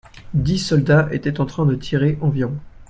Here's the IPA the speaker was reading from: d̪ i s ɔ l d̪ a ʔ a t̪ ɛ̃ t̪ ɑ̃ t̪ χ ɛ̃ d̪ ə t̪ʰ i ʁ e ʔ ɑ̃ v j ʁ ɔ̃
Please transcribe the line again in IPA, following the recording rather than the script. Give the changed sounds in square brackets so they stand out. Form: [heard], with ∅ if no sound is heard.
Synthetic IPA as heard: d̪ i s ɔ l d̪ a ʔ [e] t̪ [ɛ] t̪ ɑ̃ t̪ χ ɛ̃ d̪ ə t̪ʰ i ʁ e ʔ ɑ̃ v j ʁ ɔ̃